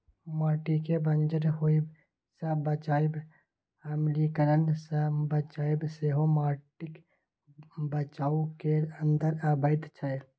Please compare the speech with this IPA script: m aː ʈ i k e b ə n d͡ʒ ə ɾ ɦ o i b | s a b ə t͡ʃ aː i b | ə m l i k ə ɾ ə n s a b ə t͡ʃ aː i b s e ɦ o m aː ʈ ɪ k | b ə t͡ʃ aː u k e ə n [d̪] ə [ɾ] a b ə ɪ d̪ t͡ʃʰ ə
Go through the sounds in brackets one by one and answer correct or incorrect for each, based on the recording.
correct, correct

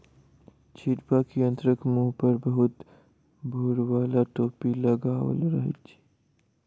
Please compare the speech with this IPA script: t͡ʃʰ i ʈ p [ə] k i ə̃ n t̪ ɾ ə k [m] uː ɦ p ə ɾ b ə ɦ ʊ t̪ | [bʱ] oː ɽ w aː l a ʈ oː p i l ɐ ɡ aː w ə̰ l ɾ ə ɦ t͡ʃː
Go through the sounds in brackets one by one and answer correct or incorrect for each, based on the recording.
incorrect: a, correct, correct

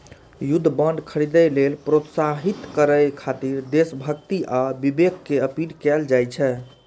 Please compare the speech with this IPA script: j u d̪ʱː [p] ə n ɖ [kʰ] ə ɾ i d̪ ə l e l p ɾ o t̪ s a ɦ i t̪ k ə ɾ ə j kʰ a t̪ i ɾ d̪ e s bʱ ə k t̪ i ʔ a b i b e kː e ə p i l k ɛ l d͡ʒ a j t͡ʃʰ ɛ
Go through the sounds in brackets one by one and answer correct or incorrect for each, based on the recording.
incorrect: b, correct

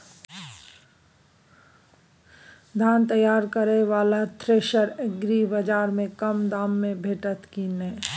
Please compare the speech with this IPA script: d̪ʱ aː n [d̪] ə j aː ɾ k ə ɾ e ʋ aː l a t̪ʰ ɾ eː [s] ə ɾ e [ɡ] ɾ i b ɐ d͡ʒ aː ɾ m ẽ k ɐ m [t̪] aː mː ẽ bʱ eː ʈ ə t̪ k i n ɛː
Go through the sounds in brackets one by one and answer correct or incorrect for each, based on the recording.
incorrect: t̪, incorrect: ʃ, correct, incorrect: d̪

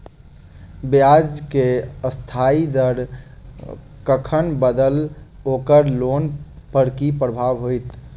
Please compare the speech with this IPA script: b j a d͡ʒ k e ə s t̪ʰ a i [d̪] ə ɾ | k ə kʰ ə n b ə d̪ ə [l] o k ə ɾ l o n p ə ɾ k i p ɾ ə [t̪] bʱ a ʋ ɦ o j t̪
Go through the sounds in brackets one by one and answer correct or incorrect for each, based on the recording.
correct, correct, incorrect: none

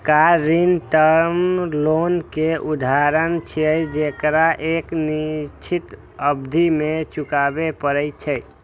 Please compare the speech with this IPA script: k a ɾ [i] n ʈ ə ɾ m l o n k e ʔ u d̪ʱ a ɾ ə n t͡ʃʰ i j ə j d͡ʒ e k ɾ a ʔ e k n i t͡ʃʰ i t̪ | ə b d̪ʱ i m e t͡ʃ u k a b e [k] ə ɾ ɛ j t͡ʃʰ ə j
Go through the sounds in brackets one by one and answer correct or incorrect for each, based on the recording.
correct, incorrect: p

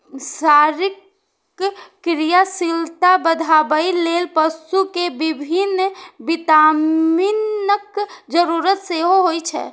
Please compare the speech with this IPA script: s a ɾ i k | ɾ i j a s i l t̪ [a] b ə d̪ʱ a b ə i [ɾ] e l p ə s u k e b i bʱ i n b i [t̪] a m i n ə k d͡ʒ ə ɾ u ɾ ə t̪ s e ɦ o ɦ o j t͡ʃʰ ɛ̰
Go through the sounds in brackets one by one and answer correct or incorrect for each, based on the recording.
correct, incorrect: l, correct

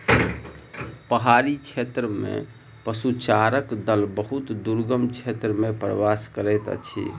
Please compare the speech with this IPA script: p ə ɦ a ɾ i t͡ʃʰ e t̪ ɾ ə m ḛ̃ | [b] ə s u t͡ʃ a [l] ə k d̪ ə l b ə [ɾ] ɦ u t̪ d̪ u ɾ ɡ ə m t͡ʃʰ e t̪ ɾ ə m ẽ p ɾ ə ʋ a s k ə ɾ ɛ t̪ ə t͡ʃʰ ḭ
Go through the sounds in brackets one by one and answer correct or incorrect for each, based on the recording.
incorrect: p, incorrect: ɾ, incorrect: none

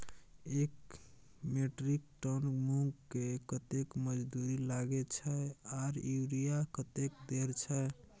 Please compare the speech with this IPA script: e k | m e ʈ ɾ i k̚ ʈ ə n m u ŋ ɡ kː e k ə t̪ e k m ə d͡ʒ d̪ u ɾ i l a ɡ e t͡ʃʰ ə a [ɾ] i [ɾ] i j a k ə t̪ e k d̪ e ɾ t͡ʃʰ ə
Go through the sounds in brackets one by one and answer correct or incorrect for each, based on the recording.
correct, correct

